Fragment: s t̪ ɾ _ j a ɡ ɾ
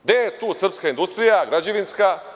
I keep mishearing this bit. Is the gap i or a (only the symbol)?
i